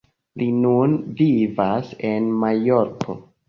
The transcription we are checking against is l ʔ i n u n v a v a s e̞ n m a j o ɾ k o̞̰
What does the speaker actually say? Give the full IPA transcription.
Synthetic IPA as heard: l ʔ i n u n v i v a s e̞ n m a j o ɾ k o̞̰